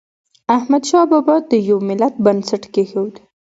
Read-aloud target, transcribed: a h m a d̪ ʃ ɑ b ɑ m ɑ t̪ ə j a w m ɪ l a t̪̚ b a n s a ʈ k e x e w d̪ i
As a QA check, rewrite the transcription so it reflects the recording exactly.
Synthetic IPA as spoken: a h m a d̪ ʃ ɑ b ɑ b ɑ d̪ ə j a w m ɪ l a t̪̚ b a n s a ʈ k e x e w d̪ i